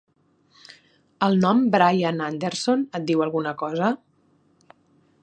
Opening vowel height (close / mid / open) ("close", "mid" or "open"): mid